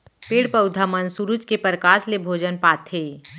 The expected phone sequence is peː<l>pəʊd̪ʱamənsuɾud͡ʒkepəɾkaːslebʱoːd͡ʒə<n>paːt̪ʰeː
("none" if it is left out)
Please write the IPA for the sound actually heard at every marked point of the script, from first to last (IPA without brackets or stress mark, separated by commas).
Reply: ɽ, n